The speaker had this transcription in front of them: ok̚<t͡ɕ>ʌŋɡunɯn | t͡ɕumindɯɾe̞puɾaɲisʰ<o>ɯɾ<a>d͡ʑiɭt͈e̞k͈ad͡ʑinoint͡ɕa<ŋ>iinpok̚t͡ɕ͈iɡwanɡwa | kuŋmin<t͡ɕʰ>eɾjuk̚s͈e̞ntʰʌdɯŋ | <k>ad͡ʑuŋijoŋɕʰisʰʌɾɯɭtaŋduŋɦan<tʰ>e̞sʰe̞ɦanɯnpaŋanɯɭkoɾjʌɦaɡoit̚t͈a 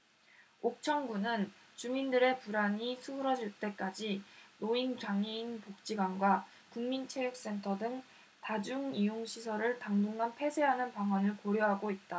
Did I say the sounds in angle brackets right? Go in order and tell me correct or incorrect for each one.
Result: incorrect, incorrect, incorrect, correct, correct, incorrect, incorrect

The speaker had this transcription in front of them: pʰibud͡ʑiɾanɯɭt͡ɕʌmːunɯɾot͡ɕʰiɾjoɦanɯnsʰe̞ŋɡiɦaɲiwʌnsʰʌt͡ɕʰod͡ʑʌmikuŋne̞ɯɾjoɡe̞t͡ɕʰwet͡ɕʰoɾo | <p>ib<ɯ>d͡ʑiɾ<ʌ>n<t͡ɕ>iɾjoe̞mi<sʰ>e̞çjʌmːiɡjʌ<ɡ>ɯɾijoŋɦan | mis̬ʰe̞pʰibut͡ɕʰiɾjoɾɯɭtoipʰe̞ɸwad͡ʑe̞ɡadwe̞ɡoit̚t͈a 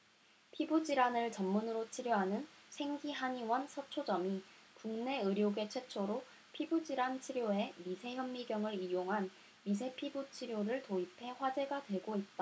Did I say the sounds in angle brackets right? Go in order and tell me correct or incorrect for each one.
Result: incorrect, incorrect, incorrect, incorrect, correct, incorrect

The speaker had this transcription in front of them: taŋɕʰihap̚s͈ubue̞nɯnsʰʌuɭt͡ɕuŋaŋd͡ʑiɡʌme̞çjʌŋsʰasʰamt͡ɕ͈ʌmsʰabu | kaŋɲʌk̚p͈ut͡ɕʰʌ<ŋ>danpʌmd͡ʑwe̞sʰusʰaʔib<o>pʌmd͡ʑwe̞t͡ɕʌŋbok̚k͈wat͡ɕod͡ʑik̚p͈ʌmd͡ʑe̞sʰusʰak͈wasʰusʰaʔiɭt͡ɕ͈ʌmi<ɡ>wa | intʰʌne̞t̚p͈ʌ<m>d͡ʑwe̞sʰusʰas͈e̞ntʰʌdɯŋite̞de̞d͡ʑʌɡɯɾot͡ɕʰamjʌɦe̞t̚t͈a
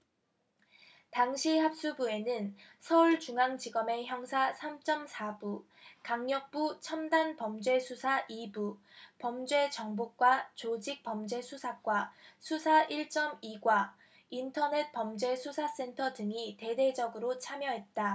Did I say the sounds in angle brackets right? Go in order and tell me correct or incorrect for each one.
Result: incorrect, incorrect, correct, correct

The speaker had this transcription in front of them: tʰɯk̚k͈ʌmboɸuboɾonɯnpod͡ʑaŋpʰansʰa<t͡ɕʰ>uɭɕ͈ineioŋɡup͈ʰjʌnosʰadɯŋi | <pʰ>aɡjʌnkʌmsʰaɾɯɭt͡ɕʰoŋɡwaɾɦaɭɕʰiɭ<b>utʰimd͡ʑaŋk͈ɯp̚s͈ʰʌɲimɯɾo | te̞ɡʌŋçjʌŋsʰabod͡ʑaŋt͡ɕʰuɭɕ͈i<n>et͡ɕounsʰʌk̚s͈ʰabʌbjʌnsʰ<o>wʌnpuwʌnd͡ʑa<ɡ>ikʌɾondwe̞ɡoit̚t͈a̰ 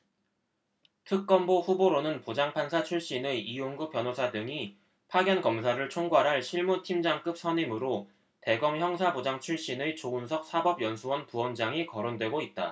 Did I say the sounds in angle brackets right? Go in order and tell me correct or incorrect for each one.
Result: correct, correct, incorrect, correct, incorrect, incorrect

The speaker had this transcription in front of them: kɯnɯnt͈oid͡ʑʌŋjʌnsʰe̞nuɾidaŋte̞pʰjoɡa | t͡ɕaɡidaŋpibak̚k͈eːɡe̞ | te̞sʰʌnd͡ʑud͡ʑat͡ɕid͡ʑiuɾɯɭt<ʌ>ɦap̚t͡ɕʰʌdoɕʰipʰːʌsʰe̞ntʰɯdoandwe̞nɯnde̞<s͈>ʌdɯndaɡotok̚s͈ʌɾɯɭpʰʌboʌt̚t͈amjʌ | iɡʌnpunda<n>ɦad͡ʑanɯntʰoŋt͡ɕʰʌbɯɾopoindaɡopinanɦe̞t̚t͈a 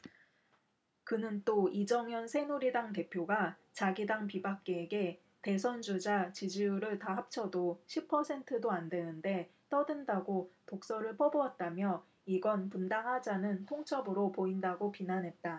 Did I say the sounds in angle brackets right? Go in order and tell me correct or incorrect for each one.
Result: incorrect, incorrect, incorrect

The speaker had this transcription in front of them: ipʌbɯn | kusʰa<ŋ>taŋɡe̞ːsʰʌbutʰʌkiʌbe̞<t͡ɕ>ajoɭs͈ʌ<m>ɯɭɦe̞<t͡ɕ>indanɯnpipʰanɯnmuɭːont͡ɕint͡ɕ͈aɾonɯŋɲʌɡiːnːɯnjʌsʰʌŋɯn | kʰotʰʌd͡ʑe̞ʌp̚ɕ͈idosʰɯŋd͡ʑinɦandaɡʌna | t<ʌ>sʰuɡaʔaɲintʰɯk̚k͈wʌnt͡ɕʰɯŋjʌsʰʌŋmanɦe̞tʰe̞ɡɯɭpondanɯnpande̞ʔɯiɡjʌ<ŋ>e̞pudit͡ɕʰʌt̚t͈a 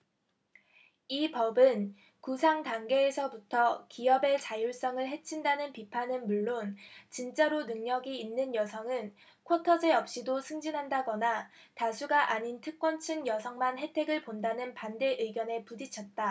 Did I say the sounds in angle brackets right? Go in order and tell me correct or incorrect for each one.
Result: correct, correct, incorrect, incorrect, incorrect, incorrect

